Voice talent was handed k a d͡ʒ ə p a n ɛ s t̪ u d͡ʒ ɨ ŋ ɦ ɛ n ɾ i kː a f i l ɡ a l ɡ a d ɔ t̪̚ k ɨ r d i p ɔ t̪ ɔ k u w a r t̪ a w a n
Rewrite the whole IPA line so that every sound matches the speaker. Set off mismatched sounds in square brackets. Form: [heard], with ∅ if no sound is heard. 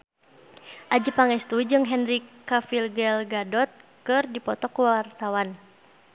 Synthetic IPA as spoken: [ʔ] a d͡ʒ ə p a [ŋ] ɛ s t̪ u d͡ʒ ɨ ŋ ɦ ɛ n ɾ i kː a f i l ɡ [ɛ] l ɡ a d ɔ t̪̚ k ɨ r d i p ɔ t̪ ɔ k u w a r t̪ a w a n